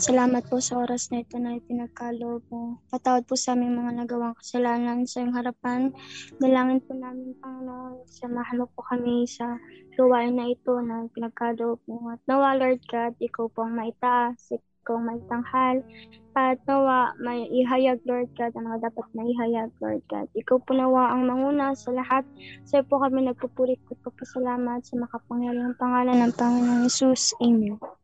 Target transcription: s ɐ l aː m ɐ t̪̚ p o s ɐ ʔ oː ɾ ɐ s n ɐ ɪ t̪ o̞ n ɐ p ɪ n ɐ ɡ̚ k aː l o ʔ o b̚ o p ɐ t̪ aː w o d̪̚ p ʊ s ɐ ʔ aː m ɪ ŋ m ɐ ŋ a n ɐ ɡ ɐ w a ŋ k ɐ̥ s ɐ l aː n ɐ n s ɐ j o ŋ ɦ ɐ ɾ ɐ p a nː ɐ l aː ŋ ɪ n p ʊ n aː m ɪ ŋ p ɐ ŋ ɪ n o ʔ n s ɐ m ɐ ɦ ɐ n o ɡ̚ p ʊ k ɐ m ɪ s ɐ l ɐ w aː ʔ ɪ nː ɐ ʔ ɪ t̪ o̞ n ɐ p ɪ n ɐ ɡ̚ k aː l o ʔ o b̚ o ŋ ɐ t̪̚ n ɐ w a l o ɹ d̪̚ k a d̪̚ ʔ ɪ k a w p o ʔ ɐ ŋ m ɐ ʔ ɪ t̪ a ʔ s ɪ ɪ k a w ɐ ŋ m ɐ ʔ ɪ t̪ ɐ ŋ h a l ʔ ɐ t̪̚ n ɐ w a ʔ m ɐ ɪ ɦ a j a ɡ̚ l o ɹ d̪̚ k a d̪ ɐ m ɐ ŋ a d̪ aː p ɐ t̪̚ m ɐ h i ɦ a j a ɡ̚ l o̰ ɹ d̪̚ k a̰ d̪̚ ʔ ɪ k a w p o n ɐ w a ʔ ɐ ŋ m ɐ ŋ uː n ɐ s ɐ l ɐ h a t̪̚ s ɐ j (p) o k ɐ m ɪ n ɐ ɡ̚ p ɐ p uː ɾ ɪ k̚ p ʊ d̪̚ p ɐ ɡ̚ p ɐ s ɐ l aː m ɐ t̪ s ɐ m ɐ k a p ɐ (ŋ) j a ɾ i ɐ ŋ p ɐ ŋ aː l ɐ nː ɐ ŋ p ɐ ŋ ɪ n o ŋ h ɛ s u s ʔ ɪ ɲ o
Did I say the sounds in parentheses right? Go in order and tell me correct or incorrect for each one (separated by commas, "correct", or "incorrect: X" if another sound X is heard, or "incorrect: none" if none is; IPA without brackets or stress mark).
correct, correct